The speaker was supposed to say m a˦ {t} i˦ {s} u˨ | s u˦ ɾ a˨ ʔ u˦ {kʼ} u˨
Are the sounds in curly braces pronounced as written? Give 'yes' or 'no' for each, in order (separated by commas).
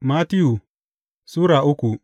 yes, no, no